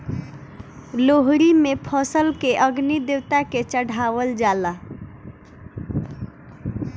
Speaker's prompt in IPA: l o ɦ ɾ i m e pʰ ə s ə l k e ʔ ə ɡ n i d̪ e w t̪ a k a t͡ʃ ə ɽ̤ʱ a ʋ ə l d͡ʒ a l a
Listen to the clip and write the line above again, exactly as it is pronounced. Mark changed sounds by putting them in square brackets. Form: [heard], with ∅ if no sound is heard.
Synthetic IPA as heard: l o ɦ ɾ i m e pʰ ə s ə l k e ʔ ə ɡ n i d̪ e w t̪ a k [e] t͡ʃ ə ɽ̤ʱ a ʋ ə l d͡ʒ a l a